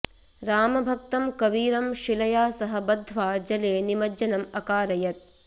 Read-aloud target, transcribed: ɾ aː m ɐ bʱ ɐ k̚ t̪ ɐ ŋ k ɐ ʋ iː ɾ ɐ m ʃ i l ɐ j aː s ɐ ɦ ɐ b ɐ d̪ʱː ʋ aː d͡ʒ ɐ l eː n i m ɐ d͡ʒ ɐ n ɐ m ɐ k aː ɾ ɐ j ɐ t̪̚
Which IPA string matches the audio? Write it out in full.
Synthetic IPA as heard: ɾ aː m ɐ bʱ ɐ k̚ t̪ ɐ m k ɐ ʋ iː ɾ ɐ m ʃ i l ɐ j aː s ɐ ɦ ɐ b ɐ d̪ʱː ʋ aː d͡ʒ ɐ l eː n i m ɐ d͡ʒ ɐ n ɐ m ɐ k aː ɾ ɐ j ɐ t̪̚